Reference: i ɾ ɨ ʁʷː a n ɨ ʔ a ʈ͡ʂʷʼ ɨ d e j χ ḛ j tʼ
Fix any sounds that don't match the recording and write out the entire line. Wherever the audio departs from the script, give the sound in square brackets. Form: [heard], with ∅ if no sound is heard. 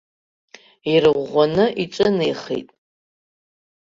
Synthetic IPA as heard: i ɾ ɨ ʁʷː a n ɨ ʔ [i] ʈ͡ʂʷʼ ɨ [n] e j χ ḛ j tʼ